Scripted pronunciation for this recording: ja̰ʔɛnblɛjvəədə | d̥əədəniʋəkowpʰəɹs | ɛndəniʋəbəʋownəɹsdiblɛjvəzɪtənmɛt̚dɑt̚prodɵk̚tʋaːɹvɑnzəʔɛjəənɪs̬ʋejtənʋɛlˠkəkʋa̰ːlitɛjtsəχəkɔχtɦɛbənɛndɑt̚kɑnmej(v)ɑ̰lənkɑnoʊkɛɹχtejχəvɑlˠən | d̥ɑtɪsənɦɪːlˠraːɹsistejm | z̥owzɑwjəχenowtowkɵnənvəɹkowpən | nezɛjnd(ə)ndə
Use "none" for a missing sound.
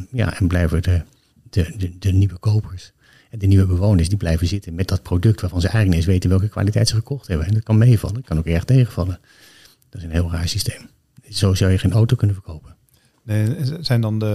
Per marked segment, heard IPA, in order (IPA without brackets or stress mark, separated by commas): v, ɑ